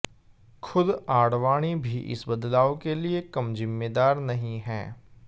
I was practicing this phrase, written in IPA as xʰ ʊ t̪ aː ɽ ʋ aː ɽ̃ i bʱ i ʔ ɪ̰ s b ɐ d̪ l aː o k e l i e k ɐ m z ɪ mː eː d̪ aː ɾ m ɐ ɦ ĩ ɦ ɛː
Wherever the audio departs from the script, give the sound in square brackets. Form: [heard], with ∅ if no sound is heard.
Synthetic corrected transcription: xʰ ʊ [d̪] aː ɽ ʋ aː ɽ̃ i bʱ i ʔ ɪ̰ s b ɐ d̪ l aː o k e l i e k ɐ m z ɪ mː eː d̪ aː ɾ [n] ɐ ɦ ĩ ɦ ɛː